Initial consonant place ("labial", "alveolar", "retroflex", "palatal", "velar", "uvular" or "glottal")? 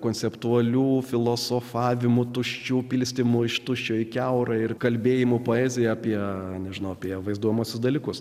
velar